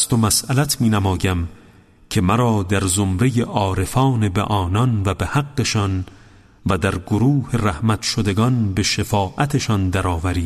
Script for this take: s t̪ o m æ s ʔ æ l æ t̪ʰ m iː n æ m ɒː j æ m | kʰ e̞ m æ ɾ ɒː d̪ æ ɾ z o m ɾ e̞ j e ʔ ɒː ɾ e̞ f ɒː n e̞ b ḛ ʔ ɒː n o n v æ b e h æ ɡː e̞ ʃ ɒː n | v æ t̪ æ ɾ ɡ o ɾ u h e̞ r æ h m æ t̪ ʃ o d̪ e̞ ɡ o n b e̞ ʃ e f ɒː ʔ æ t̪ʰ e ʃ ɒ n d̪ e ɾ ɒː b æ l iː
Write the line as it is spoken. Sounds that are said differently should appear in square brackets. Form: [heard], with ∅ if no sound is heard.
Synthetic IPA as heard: s t̪ o m æ s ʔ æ l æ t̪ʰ m iː n æ m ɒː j æ m | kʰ e̞ m æ ɾ ɒː d̪ æ ɾ z o m ɾ e̞ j e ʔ ɒː ɾ e̞ f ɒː n e̞ b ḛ ʔ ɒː n [ɒ] n v æ b e h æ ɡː e̞ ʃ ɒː n | v æ [d̪] æ ɾ ɡ o ɾ [uː] h e̞ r æ h m æ t̪ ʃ o d̪ e̞ ɡ [ɒ] n b e̞ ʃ e f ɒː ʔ æ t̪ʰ e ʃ ɒ n d̪ [æ] ɾ ɒː [v] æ [ɾ] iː